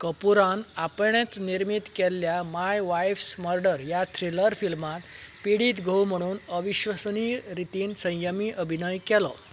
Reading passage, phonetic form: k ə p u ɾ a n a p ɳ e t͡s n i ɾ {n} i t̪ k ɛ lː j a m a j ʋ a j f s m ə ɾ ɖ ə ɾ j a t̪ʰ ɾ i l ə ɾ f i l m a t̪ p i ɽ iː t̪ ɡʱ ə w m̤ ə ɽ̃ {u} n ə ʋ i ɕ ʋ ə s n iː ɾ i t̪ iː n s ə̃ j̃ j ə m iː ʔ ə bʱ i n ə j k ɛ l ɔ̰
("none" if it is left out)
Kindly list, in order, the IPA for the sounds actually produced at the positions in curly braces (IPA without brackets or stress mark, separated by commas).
m, uː